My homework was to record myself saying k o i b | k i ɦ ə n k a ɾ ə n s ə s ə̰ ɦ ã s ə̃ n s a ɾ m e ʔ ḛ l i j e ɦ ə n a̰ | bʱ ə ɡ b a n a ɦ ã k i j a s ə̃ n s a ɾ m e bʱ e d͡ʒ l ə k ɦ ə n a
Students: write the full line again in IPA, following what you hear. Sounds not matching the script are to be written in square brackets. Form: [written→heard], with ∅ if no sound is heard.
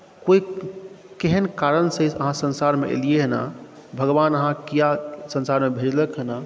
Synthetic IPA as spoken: k o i [b→∅] | k [i→e] ɦ ə n k a ɾ ə n s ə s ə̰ ɦ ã s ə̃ n s a ɾ m e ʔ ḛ l i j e ɦ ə n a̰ | bʱ ə ɡ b a n [a→ə] ɦ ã k i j a s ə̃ n s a ɾ m e bʱ e d͡ʒ l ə k ɦ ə n a